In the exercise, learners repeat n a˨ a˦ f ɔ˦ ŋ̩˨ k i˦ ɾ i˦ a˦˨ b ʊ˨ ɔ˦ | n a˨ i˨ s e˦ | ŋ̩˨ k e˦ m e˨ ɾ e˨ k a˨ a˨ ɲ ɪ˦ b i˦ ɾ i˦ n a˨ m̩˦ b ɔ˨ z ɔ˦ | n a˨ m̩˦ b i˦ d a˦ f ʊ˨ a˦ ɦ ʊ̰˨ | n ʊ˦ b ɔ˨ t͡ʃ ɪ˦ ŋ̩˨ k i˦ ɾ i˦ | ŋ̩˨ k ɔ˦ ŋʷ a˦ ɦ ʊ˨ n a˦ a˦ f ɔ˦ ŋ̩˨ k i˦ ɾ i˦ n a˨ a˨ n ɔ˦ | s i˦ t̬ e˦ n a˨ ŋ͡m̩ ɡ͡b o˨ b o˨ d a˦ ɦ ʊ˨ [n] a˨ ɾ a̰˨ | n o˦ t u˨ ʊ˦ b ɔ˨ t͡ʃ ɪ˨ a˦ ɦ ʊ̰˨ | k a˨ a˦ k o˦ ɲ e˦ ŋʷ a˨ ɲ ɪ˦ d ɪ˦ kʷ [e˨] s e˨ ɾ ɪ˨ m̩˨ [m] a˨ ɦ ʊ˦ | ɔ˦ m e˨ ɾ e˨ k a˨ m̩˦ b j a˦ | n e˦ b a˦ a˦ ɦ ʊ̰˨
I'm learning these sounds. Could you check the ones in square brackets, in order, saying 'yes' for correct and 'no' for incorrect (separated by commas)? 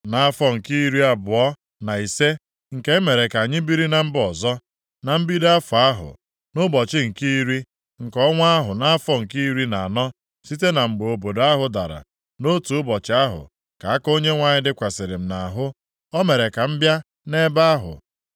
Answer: no, no, no